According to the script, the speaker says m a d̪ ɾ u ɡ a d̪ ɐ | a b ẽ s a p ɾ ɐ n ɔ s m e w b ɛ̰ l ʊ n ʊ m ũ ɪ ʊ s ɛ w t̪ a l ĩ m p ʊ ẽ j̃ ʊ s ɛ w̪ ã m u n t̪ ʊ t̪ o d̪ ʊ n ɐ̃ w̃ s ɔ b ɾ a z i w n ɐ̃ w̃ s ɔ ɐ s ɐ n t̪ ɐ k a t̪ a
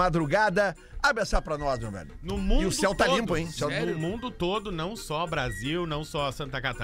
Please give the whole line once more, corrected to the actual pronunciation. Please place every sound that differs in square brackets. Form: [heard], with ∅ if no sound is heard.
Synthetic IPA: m a d̪ ɾ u ɡ a d̪ ɐ | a b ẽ s a p ɾ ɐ n ɔ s m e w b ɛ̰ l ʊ n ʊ m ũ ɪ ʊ s ɛ w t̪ a l ĩ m p ʊ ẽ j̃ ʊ s ɛ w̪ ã m [ũ] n [d̪] ʊ t̪ o d̪ ʊ n ɐ̃ w̃ s ɔ b ɾ a z i w n ɐ̃ w̃ s ɔ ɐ s [ɐ̃] n t̪ ɐ k a t̪ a